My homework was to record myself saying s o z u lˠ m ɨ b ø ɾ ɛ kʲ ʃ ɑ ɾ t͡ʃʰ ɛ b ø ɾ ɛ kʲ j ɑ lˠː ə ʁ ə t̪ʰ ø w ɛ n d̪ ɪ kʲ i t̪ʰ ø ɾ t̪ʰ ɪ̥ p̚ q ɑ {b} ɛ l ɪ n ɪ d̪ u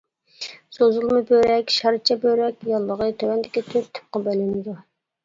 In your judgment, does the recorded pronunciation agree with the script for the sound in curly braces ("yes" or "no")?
yes